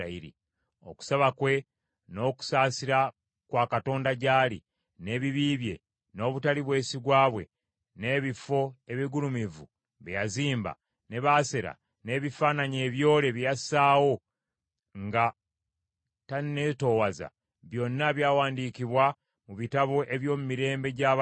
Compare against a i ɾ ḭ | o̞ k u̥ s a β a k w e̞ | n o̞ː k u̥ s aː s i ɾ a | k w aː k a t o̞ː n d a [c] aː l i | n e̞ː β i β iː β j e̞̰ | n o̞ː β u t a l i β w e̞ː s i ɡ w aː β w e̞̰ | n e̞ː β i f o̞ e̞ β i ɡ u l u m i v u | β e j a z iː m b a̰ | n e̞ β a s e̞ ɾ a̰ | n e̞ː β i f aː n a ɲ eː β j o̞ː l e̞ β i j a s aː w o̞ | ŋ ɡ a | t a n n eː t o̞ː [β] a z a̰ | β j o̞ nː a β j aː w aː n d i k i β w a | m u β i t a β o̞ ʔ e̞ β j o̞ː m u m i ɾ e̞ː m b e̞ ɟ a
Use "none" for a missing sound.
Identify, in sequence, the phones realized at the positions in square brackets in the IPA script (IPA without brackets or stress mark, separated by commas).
ɟ, w